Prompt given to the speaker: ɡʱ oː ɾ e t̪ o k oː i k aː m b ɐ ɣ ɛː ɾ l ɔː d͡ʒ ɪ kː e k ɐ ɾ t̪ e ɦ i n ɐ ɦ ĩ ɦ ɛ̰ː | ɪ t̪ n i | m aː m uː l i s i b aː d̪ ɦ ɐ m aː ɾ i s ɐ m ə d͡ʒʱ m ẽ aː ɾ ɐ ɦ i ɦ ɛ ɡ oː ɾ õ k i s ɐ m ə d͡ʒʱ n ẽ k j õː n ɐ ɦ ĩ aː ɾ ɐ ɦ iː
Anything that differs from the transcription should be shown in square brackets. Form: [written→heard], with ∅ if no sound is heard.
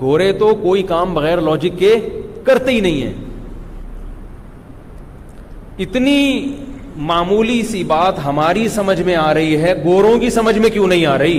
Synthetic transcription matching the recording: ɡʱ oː ɾ e t̪ o k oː i k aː m b ɐ ɣ ɛː ɾ l ɔː d͡ʒ ɪ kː e k ɐ ɾ t̪ e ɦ i n ɐ ɦ ĩ ɦ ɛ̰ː | ɪ t̪ n i | m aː m uː l i s i b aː [d̪→t̪] ɦ ɐ m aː ɾ i s ɐ m ə d͡ʒʱ m ẽ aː ɾ ɐ ɦ i ɦ ɛ ɡ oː ɾ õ k i s ɐ m ə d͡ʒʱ [n→m] ẽ k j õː n ɐ ɦ ĩ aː ɾ ɐ ɦ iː